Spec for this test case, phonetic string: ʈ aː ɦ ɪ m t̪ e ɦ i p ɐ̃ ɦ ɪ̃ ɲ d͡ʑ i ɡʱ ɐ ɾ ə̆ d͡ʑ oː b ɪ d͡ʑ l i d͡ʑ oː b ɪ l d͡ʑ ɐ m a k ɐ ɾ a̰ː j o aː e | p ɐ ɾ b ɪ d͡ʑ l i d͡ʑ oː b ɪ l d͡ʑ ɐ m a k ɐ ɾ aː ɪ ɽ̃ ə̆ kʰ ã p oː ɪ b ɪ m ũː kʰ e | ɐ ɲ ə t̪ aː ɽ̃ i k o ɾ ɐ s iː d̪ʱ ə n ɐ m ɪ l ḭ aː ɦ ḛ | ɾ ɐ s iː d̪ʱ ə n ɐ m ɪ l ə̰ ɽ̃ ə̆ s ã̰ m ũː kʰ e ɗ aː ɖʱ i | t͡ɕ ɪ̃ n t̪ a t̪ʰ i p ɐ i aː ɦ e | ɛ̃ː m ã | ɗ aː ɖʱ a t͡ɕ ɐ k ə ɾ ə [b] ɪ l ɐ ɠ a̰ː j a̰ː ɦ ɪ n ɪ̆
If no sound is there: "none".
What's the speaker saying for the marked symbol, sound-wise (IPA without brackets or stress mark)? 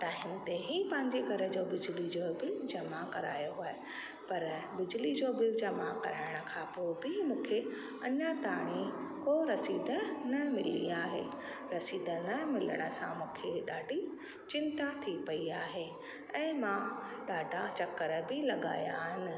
b